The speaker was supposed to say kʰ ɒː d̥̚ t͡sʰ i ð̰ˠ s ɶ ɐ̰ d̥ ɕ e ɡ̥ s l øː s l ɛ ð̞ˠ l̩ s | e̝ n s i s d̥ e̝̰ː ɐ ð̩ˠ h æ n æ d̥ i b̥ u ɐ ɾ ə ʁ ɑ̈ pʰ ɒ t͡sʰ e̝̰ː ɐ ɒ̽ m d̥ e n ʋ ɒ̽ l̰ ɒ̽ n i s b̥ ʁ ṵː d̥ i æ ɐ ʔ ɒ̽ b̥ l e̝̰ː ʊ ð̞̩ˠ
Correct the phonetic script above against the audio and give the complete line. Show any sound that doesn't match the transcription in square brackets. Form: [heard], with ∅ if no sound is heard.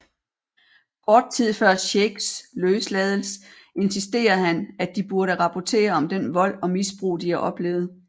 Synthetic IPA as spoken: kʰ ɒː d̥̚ t͡sʰ i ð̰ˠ [f] ɶ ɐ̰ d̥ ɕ e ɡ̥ s l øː s l ɛ ð̞ˠ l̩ s | e̝ n s i s d̥ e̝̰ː ɐ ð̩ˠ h æ n æ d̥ i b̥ u ɐ ɾ ə ʁ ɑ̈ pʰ ɒ t͡sʰ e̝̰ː ɐ ɒ̽ m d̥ e n ʋ ɒ̽ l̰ ɒ̽ [m] i s b̥ ʁ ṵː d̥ i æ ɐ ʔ ɒ̽ b̥ l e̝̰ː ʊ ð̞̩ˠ